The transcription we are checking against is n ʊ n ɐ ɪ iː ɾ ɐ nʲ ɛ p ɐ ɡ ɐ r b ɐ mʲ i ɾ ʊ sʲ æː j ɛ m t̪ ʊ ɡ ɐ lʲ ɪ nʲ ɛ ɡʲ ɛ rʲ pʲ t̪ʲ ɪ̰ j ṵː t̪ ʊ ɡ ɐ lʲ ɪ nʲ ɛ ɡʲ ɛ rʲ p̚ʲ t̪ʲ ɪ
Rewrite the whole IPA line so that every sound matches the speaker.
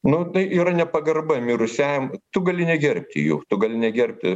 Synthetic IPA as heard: n ʊ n ɐ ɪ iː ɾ ɐ nʲ ɛ p ɐ ɡ ɐ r b ɐ mʲ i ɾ ʊ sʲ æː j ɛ m t̪ ʊ ɡ ɐ lʲ ɪ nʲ ɛ ɡʲ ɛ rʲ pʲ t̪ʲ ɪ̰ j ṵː t̪ ʊ ɡ ɐ lʲ ɪ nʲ ɛ ɡʲ ɛ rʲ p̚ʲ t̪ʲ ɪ